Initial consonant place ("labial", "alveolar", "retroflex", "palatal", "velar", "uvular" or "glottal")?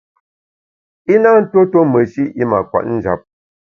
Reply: alveolar